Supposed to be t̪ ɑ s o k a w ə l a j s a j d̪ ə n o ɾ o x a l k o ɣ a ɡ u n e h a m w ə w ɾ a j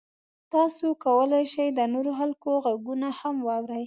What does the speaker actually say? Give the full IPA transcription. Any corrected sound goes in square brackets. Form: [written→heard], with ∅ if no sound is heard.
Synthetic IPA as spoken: t̪ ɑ s o k a w ə l a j [s→ʃ] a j d̪ ə n o ɾ o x a l k o ɣ a ɡ u n [e→a] h a m w [ə→ɑ] w ɾ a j